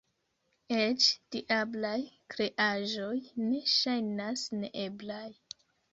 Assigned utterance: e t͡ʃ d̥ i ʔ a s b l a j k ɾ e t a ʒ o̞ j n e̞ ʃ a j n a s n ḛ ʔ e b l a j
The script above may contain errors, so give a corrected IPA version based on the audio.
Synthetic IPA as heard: e t͡ʃ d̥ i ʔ a b l a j k ɾ e ʔ a ʒ o̞ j n e̞ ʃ a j n a s n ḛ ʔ e b l a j